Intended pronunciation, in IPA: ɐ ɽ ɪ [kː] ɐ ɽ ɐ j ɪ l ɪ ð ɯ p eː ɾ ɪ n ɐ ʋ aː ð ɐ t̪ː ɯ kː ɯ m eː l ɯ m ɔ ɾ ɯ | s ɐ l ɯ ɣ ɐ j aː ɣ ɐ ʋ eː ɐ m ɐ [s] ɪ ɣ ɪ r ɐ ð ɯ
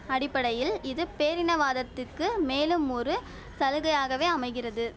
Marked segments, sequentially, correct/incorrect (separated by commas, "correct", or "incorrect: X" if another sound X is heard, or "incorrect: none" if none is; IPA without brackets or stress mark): incorrect: pː, incorrect: none